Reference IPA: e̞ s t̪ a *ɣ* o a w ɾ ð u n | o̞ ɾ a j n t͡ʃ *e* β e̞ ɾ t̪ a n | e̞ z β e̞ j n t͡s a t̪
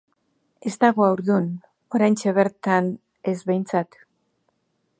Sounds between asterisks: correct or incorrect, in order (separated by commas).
correct, correct